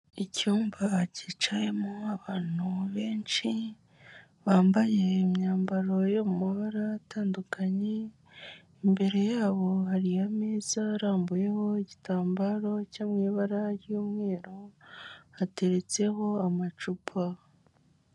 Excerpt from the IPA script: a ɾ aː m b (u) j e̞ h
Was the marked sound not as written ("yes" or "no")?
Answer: no